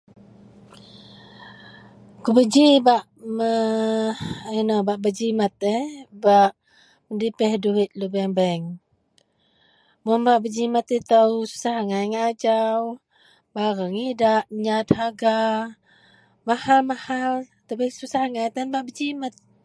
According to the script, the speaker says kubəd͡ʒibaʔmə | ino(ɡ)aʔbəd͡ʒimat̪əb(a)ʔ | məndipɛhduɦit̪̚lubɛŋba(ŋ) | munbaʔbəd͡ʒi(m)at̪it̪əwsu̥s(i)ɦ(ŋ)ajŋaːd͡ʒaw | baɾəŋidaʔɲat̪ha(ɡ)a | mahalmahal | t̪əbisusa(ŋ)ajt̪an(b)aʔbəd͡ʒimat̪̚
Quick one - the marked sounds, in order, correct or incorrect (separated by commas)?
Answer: incorrect, correct, correct, correct, incorrect, correct, correct, correct, correct